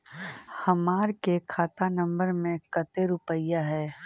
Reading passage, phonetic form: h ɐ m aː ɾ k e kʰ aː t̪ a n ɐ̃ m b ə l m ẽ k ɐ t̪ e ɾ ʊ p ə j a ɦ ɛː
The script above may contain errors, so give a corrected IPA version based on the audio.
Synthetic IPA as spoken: h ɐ m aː ɾ k e kʰ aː t̪ a n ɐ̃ m b ə ɾ m ẽ k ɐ t̪ e ɾ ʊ p ə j a ɦ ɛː

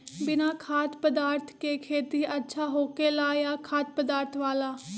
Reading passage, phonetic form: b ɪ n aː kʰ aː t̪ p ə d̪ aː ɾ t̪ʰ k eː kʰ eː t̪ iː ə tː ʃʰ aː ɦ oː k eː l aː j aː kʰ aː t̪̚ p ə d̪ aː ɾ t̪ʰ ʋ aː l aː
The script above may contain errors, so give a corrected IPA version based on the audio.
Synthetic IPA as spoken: b ɪ n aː kʰ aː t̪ p ə d̪ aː ɾ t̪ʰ k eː kʰ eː t̪ iː ə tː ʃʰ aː ɦ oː k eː l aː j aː kʰ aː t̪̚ p ə d̪ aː ɾ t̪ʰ ʋ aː l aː

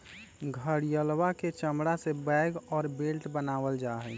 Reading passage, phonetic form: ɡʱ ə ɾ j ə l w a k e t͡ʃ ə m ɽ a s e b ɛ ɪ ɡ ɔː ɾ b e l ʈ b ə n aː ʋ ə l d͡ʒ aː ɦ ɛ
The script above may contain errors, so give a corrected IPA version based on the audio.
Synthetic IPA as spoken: ɡʱ ə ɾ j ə l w a k e t͡ʃ ə m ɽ a s e b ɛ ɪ ɡ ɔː ɾ b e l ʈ b ə n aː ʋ ə l d͡ʒ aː ɦ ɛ

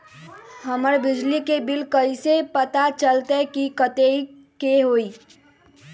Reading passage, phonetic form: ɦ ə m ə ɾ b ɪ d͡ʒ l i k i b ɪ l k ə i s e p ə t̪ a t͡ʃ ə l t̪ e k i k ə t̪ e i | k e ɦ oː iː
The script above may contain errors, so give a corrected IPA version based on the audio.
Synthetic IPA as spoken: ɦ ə m ə ɾ b ɪ d͡ʒ l i k e b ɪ l k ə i s e p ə t̪ a t͡ʃ ə l t̪ e k i k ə t̪ e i | k e ɦ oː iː

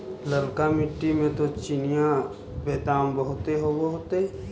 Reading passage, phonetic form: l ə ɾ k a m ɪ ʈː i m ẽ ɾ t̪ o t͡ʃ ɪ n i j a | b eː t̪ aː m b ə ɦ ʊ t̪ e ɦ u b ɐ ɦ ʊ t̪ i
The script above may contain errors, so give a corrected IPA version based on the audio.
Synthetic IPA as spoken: l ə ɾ k a m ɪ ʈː i m ẽ t̪ o t͡ʃ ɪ n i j a | b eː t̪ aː m b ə ɦ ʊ t̪ e ɦ o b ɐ ɦ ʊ t̪ e

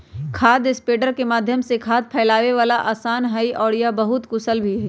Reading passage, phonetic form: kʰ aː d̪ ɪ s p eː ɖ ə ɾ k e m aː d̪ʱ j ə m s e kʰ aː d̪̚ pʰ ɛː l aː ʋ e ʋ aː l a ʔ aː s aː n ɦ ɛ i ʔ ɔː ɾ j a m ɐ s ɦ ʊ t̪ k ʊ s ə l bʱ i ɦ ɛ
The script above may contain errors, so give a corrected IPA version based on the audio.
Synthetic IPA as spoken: kʰ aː d̪ ɪ s p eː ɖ ə ɾ k e m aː d̪ʱ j ə m s e kʰ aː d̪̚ pʰ ɛː l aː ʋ e ʋ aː l a ʔ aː s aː n ɦ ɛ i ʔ ɔː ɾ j a b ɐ ɦ ʊ t̪ k ʊ s ə l bʱ i ɦ ɛ

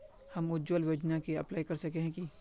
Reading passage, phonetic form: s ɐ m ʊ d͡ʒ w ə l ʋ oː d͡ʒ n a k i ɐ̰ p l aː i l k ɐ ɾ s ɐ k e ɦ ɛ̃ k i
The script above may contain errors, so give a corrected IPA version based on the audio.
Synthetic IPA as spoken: h ɐ m ʊ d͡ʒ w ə l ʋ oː d͡ʒ n a k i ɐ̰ p l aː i k ɐ ɾ s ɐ k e ɦ ɛ̃ k i

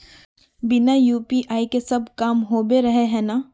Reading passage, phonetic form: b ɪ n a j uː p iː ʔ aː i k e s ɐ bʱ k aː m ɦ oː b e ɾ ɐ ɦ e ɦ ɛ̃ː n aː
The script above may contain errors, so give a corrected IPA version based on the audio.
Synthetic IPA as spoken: b ɪ n a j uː p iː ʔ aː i k e s ɐ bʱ k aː m ɦ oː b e ɾ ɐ ɦ e ɦ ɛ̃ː n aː

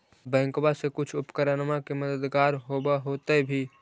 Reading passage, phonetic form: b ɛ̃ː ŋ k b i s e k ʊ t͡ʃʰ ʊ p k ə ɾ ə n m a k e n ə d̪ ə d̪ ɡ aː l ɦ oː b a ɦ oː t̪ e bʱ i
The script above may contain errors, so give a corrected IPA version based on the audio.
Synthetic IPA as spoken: b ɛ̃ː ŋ k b a s e k ʊ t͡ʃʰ ʊ p k ə ɾ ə n m a k e m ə d̪ ə d̪ ɡ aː ɾ ɦ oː b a ɦ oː t̪ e bʱ i

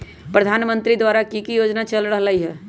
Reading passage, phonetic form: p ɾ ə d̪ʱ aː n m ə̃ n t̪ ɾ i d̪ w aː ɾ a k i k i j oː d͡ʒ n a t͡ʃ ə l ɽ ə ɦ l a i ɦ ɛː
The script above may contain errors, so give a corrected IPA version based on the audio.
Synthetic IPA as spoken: p ɾ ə d̪ʱ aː n m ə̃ n t̪ ɾ i d̪ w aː ɾ a k i k i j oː d͡ʒ n a t͡ʃ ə l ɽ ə ɦ l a i ɦ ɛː

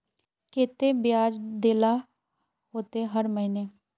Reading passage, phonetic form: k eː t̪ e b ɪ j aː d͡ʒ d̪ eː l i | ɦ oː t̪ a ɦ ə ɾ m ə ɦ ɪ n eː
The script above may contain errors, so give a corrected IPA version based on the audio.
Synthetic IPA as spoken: k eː t̪ e b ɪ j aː d͡ʒ d̪ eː l a | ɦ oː t̪ e ɦ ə ɾ m ə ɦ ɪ n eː

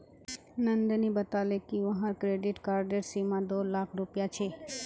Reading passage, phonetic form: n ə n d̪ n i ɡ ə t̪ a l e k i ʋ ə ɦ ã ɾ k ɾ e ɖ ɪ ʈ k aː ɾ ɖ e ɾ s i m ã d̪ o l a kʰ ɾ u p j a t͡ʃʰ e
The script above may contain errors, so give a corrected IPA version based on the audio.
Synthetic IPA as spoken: n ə n d̪ n i b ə t̪ a l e k i ʋ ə ɦ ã ɾ k ɾ e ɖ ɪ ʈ k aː ɾ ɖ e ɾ s i m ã d̪ o l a kʰ ɾ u p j a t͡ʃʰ e

